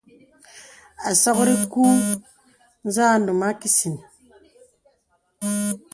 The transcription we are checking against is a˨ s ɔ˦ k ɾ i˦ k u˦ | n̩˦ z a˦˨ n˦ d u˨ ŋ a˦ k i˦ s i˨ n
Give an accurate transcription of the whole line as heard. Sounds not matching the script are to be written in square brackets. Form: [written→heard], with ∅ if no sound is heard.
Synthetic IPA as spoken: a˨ s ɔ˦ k ɾ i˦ k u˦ | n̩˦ z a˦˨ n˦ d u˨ [ŋ→m] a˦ k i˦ s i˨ n